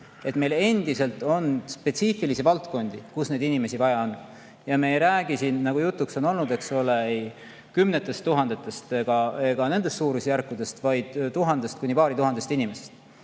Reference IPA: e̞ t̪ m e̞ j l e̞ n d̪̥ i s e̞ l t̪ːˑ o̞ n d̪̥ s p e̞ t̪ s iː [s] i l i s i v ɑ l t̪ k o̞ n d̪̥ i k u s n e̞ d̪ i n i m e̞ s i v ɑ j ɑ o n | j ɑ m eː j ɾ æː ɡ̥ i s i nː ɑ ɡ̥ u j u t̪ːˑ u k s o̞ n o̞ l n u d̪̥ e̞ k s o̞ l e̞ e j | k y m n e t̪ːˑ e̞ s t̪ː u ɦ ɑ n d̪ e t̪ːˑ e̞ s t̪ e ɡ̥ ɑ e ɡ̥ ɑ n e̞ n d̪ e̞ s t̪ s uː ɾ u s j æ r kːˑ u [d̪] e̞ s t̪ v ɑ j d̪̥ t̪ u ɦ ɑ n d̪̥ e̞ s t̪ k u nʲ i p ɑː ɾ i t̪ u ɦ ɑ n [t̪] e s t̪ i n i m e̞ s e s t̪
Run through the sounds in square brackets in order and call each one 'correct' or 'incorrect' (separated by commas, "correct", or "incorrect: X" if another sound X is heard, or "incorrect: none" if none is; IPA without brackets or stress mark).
incorrect: f, correct, incorrect: d̪